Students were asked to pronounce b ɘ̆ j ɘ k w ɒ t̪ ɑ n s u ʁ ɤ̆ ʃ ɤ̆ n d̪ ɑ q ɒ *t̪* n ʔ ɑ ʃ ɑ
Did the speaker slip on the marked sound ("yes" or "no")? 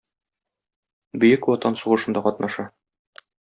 no